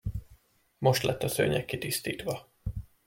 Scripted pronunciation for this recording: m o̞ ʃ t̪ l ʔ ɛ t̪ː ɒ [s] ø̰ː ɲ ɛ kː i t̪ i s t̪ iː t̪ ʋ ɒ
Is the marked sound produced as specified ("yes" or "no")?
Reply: yes